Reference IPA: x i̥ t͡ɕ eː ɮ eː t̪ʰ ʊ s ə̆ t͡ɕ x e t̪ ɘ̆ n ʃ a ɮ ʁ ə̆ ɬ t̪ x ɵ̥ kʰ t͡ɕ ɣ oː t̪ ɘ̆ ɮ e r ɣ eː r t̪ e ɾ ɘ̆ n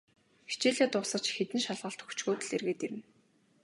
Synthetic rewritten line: x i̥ t͡ɕ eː ɮ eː t̪ ʊ s ə̆ t͡ɕ x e t̪ ɘ̆ n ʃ a ɮ ʁ ə̆ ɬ t̪ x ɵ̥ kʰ t͡ɕ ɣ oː t̪ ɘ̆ ɮ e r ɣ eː t̪ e ɾ ɘ̆ n